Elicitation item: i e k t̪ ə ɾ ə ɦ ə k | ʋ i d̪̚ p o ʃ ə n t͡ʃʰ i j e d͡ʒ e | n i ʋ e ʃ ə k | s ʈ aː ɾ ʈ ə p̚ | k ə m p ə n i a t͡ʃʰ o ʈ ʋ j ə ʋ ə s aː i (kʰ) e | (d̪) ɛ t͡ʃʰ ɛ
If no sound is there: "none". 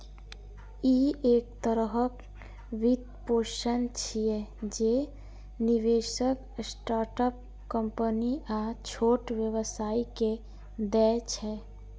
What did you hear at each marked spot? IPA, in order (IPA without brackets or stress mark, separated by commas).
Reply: k, d̪